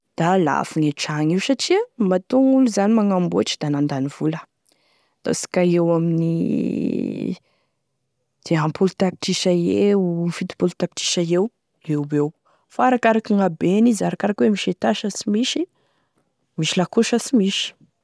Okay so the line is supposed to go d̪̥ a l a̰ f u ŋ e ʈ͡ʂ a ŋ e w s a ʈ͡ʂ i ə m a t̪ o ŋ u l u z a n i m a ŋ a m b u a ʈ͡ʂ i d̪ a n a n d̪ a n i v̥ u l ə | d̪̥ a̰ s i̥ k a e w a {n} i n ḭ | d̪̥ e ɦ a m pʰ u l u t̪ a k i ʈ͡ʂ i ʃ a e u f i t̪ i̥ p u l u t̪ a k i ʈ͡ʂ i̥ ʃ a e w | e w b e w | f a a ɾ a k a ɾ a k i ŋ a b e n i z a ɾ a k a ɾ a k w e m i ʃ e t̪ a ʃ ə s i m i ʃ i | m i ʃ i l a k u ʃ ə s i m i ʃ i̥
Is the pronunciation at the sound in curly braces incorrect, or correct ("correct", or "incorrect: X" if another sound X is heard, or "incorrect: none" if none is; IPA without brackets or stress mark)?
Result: incorrect: m